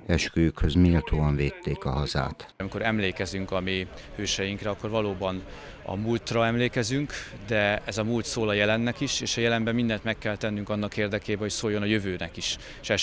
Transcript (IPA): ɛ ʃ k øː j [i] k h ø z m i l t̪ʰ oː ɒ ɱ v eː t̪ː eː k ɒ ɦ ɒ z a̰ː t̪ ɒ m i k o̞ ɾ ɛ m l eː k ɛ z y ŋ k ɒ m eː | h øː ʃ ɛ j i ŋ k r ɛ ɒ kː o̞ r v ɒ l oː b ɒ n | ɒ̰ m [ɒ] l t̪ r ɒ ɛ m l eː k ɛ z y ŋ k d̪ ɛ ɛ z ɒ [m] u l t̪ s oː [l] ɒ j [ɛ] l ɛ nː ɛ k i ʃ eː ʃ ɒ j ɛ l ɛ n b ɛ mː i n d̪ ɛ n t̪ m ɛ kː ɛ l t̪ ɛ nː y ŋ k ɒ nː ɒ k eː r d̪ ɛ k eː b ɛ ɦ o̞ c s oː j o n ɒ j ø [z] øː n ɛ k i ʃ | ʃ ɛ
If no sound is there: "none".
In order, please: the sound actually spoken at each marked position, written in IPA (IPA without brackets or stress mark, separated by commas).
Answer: y, u, m, l, ɛ, v